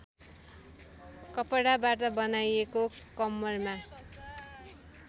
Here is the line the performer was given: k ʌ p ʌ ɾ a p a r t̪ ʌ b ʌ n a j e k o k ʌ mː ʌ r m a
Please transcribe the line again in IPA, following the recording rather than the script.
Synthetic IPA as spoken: k ʌ p ʌ ɽ a b a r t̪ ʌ b ʌ n a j e k o k ʌ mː ʌ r m a